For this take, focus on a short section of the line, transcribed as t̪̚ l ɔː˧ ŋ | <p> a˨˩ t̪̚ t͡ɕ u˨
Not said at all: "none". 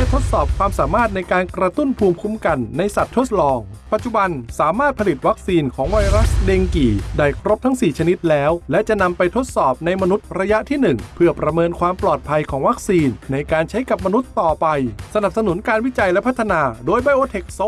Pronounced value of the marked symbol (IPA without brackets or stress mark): p